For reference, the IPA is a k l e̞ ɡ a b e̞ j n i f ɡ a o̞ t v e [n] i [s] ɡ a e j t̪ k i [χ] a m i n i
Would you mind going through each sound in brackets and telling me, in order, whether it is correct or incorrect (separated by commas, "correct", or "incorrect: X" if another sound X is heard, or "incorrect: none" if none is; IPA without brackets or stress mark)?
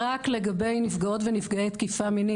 correct, incorrect: f, incorrect: f